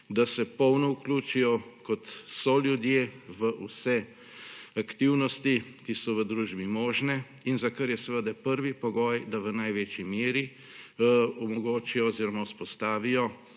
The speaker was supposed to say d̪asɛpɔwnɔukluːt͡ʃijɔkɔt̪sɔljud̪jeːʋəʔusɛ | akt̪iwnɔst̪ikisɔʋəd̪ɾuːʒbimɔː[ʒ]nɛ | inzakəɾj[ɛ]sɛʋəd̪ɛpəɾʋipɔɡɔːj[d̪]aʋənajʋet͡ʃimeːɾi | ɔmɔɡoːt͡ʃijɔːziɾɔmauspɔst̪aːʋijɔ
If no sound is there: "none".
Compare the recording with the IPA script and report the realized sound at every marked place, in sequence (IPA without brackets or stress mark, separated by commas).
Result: ʒ, ɛ, d̪